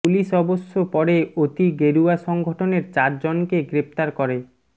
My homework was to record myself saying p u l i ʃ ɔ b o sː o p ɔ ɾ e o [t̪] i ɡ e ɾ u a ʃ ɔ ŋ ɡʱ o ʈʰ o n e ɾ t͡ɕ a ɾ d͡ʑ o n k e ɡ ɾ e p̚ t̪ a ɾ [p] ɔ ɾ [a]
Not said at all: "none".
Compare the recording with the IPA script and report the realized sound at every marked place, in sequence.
t̪, k, e

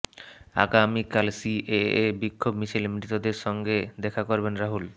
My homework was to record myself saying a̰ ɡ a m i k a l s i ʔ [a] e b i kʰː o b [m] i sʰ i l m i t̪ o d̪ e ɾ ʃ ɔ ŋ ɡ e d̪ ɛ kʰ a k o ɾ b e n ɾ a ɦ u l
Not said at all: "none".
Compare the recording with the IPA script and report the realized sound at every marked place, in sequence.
e, m

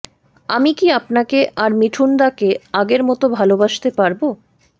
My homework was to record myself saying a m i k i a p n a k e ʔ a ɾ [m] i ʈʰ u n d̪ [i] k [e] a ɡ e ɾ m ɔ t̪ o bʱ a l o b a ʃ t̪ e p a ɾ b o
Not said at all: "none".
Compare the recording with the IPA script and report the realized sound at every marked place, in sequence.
m, a, e

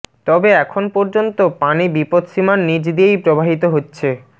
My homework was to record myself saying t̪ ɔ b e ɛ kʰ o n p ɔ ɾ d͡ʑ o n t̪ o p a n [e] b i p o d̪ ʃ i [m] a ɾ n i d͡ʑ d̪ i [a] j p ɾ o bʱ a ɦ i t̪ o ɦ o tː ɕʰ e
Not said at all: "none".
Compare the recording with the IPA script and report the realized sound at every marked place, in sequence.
i, m, e

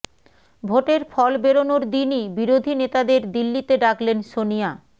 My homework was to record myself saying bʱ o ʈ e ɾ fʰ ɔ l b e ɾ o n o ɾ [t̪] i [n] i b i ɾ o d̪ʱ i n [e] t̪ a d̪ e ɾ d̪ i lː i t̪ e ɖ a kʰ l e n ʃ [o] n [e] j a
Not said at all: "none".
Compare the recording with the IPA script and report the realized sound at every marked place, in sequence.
d̪, n, e, o, i

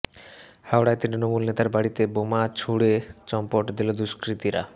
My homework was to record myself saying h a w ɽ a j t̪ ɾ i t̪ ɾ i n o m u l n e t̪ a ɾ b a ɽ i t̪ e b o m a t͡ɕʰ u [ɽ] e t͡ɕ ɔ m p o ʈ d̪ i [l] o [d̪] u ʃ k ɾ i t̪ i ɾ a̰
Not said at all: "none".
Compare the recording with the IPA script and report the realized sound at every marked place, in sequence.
ɽ, l, d̪

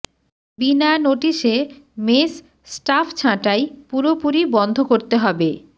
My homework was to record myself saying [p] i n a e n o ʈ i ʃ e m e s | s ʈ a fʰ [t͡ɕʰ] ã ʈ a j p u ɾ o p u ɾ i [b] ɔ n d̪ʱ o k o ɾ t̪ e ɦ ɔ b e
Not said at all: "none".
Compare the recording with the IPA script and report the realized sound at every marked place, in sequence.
b, t͡ɕʰ, b

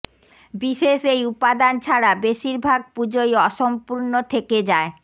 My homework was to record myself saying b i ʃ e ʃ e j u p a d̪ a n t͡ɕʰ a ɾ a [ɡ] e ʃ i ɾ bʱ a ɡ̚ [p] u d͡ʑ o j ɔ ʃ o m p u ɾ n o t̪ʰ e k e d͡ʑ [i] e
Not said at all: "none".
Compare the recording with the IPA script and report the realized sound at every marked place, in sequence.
b, p, a

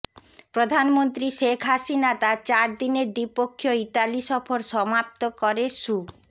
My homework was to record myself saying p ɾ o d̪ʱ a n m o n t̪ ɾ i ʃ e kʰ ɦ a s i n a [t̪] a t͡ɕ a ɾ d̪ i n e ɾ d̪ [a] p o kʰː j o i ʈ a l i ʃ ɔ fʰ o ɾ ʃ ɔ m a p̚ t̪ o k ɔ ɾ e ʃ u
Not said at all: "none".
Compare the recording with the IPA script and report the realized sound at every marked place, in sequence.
t̪, i

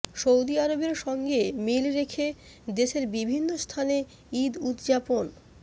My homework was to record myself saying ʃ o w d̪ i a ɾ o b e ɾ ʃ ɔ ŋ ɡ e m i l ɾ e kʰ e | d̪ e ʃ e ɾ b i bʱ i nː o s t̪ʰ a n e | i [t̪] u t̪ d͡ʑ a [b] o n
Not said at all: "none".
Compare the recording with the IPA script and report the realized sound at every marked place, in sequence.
d̪, p

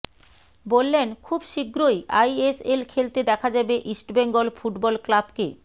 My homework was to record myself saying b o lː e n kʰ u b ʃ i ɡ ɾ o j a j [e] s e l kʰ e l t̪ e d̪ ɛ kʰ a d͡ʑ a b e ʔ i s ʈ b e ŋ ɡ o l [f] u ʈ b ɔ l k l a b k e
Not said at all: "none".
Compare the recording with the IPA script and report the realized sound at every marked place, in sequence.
e, f

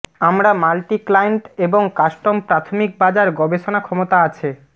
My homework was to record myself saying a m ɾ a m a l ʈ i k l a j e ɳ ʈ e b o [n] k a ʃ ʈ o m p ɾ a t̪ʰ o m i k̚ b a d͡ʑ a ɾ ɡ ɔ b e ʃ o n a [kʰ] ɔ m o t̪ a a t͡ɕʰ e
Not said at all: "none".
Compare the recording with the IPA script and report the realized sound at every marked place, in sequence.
ŋ, kʰ

